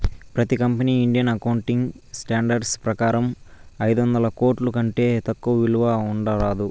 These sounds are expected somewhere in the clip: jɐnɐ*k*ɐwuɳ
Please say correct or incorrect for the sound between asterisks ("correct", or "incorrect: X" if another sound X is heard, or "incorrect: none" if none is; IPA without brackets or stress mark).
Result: correct